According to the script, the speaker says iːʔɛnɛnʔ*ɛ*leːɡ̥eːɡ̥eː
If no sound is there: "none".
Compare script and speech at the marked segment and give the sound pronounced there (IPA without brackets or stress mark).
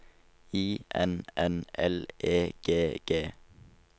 ɛ